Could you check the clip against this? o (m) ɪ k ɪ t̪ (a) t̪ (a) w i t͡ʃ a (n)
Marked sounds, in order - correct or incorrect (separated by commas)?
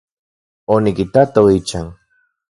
incorrect, correct, correct, incorrect